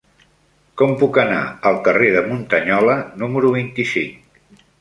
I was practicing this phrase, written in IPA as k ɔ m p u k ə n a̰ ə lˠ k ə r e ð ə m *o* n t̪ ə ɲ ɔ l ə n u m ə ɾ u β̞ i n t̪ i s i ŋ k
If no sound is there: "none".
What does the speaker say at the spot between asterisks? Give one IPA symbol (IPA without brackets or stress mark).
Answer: u